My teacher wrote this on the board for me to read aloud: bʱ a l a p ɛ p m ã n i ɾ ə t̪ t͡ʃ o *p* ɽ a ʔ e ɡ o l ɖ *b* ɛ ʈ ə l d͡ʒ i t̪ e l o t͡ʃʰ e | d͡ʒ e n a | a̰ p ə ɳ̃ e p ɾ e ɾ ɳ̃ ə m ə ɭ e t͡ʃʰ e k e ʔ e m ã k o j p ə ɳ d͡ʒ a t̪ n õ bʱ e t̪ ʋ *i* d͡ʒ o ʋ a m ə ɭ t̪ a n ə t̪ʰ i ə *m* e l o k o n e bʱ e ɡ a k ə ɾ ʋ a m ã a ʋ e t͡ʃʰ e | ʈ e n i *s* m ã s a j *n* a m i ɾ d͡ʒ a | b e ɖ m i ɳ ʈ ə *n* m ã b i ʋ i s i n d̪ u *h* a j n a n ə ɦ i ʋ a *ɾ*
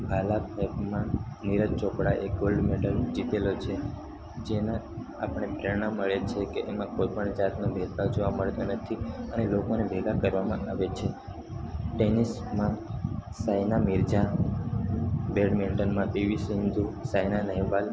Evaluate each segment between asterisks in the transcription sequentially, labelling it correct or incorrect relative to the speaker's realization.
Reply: incorrect, incorrect, incorrect, incorrect, correct, correct, correct, incorrect, incorrect

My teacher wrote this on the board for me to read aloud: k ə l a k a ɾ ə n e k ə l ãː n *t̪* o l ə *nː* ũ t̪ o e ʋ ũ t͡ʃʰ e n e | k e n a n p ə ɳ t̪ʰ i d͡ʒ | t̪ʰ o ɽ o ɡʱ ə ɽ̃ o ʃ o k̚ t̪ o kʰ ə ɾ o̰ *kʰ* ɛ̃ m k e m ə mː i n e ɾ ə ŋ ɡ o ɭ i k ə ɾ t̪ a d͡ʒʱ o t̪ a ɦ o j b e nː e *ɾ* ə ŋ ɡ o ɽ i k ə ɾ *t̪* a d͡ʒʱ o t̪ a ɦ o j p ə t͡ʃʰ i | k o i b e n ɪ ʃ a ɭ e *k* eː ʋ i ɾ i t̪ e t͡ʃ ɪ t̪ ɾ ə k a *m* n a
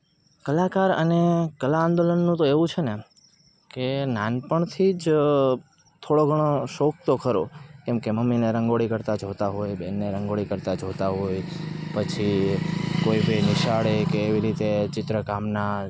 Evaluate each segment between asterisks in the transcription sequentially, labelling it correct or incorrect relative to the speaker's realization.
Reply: incorrect, correct, incorrect, correct, correct, correct, correct

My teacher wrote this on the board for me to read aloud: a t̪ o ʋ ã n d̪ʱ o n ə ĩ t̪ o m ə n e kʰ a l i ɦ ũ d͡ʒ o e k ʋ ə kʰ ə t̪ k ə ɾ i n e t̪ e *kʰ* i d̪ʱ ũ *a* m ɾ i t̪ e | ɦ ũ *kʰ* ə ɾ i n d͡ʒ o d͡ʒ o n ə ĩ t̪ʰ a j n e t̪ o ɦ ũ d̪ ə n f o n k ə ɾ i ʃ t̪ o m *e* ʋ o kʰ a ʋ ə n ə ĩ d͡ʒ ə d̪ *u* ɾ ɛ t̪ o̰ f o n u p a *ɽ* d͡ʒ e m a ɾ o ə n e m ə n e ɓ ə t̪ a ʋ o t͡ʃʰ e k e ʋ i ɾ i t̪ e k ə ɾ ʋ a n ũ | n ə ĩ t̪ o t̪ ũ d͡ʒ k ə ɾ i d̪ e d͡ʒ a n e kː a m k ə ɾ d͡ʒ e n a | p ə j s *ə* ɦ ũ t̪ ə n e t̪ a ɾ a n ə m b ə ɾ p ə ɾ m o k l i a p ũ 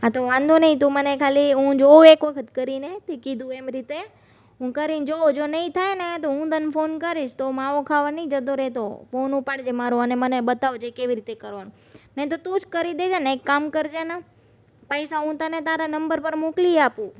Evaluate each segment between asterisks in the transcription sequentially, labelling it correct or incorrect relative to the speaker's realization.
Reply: incorrect, incorrect, incorrect, incorrect, incorrect, correct, incorrect

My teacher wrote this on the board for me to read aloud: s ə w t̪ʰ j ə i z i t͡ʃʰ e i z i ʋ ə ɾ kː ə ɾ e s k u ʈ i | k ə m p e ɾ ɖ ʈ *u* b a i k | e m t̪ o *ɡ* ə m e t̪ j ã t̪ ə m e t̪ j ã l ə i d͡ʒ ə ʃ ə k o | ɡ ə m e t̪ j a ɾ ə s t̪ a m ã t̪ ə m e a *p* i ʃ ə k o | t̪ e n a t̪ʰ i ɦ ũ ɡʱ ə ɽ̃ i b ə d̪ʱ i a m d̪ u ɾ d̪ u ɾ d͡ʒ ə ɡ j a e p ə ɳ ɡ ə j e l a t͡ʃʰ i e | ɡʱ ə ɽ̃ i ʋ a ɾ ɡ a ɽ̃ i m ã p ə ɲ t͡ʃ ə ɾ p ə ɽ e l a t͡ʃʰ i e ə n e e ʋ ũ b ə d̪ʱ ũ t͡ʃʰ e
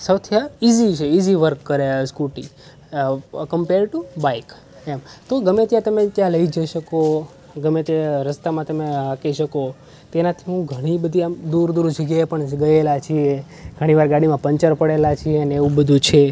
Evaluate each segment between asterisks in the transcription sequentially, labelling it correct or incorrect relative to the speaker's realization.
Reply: correct, correct, incorrect

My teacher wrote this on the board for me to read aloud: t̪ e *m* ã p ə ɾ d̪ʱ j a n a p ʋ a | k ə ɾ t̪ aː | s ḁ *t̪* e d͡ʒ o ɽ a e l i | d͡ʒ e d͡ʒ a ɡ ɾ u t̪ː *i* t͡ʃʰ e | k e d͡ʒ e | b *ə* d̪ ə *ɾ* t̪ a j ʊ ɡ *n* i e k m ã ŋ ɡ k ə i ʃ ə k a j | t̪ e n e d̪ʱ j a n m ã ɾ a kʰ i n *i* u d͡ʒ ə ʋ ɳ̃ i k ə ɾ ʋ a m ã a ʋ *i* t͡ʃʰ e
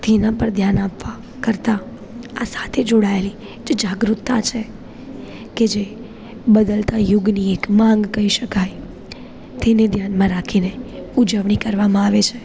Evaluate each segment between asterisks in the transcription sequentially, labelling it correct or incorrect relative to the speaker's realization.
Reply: incorrect, incorrect, incorrect, correct, incorrect, correct, incorrect, incorrect

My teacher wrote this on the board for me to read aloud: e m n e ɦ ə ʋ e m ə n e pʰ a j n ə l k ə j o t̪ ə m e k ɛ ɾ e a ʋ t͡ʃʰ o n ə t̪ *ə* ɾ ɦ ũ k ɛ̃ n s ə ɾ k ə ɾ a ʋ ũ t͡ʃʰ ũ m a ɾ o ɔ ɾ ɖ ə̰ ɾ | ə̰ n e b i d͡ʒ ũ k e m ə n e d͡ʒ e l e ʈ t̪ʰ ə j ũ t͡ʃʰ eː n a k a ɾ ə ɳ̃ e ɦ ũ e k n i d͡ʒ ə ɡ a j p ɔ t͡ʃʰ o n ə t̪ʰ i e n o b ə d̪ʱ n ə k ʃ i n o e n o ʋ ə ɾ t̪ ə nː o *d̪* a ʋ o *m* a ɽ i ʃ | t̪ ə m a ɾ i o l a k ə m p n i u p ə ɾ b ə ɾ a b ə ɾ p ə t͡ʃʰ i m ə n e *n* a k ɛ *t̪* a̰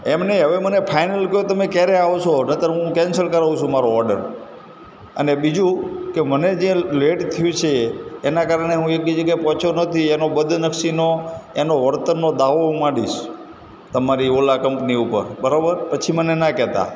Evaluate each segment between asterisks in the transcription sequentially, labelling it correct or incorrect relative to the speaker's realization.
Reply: correct, correct, correct, correct, correct

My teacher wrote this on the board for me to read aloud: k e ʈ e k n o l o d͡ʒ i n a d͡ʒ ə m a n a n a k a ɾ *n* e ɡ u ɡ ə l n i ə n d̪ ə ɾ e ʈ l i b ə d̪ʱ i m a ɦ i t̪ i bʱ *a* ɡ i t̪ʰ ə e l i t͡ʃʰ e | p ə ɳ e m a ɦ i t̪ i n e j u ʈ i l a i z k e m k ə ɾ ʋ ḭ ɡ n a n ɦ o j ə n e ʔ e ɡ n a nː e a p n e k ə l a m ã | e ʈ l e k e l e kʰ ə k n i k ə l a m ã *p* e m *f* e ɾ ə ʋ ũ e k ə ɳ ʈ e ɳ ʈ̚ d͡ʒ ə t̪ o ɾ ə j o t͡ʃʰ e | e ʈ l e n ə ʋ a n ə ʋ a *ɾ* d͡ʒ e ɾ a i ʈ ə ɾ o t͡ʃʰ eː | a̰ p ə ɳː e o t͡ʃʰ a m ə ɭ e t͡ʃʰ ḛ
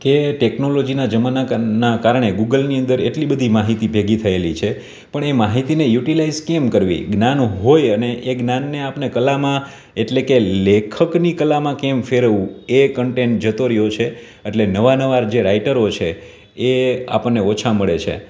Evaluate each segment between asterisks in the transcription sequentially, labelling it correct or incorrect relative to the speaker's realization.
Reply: incorrect, incorrect, incorrect, correct, correct

